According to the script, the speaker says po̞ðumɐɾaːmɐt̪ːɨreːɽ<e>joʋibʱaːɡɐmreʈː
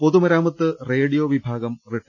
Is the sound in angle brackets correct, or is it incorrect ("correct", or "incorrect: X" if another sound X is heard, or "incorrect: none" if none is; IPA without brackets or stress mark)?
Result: incorrect: i